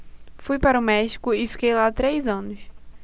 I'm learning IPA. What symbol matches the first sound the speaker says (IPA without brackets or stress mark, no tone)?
f